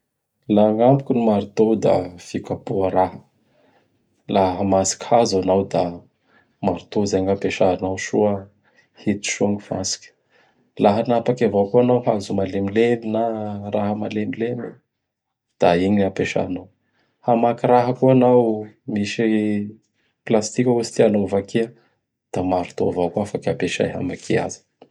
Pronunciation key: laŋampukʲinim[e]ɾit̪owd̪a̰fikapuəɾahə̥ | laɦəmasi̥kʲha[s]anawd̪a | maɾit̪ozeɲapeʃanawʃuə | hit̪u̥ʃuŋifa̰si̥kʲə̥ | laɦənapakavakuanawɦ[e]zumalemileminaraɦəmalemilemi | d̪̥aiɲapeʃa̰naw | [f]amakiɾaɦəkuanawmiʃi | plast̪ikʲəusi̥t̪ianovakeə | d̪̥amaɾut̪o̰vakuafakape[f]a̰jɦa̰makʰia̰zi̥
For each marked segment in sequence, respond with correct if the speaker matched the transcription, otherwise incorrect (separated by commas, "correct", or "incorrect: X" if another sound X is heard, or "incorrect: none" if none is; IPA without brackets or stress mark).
incorrect: a, incorrect: z, incorrect: a, incorrect: h, incorrect: ʃ